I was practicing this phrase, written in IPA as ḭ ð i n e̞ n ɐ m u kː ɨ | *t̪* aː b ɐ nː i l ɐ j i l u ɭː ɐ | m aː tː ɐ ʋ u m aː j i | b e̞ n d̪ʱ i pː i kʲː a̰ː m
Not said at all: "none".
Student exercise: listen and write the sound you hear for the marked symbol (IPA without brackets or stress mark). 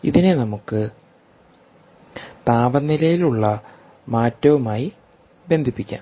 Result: t̪